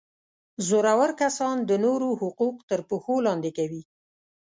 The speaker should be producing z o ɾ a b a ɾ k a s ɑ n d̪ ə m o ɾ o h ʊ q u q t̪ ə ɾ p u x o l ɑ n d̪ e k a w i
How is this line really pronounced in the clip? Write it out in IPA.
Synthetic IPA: z o ɾ a w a ɾ k a s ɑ n d̪ ə n o ɾ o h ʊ q u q t̪ ə ɾ p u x o l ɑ n d̪ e k a w i